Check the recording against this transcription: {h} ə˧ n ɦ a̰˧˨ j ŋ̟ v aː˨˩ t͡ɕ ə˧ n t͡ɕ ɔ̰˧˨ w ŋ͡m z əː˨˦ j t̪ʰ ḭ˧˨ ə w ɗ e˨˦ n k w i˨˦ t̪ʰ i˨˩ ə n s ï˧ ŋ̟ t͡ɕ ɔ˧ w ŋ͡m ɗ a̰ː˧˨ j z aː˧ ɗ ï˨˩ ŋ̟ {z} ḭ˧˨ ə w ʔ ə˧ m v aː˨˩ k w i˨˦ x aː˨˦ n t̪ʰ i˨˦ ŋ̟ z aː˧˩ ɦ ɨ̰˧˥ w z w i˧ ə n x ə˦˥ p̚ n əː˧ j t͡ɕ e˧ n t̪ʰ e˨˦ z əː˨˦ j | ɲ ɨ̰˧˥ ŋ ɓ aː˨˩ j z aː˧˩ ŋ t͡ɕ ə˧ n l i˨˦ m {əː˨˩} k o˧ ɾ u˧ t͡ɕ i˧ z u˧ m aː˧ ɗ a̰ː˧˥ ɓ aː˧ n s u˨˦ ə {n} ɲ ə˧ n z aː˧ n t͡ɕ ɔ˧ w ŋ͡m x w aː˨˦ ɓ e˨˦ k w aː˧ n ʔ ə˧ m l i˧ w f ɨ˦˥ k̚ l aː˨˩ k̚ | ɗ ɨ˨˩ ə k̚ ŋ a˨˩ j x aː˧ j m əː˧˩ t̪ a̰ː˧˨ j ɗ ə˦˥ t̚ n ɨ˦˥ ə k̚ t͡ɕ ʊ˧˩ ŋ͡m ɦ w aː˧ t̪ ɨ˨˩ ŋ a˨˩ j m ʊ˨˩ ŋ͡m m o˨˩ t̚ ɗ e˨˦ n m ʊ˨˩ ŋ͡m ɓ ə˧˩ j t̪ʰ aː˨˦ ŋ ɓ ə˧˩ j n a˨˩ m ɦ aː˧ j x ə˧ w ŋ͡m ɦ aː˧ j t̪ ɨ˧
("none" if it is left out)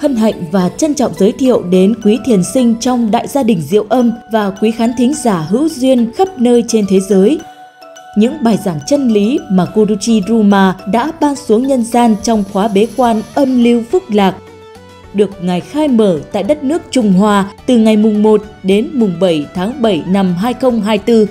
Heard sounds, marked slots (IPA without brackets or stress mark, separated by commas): h, z, aː˨˩, ŋ